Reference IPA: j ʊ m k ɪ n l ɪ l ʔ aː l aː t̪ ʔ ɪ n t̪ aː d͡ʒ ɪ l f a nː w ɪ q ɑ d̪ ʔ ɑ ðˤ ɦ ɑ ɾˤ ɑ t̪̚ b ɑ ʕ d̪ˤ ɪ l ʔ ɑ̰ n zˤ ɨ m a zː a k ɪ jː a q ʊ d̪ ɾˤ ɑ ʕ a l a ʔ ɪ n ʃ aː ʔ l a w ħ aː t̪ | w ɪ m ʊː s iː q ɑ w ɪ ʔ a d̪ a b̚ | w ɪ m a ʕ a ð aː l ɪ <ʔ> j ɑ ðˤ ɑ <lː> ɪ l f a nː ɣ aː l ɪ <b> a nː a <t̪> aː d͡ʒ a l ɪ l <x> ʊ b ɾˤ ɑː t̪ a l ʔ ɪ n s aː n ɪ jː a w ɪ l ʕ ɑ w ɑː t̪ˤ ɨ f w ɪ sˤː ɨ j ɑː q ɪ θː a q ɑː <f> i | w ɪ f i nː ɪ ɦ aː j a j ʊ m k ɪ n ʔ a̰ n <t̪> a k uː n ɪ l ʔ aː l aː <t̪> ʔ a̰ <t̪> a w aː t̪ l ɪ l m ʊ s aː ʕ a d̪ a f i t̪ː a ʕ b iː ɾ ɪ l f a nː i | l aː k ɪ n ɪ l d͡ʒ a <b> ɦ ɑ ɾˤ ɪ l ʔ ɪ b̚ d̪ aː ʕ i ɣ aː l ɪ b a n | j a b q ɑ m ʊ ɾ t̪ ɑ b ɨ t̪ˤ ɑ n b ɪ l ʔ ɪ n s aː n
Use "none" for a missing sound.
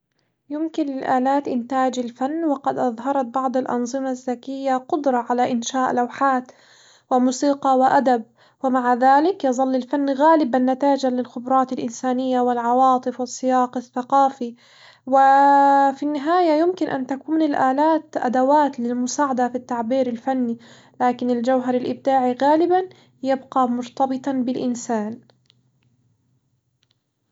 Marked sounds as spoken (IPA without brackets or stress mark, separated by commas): k, lː, b, t̪, x, f, t̪, t̪, d̪, w